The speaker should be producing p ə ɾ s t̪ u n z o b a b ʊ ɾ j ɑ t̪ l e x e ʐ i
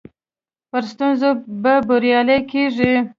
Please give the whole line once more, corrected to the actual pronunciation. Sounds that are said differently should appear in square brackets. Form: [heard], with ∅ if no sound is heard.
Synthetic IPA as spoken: p ə ɾ s t̪ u n z o b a b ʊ ɾ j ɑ [∅] l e [k] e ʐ i